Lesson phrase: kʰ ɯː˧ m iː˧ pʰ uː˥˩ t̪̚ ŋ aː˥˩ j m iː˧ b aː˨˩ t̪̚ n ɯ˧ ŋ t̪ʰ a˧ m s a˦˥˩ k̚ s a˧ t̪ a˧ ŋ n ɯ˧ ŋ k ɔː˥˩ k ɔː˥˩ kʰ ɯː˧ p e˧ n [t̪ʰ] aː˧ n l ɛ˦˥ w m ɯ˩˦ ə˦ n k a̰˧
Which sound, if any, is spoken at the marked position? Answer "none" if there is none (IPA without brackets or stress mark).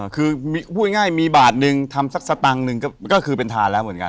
t̪ʰ